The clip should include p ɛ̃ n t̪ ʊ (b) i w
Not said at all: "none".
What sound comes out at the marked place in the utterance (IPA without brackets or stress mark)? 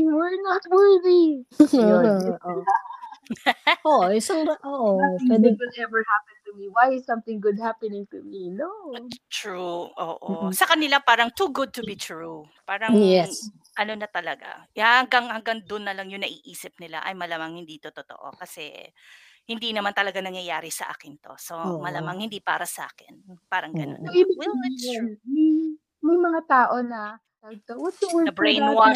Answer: m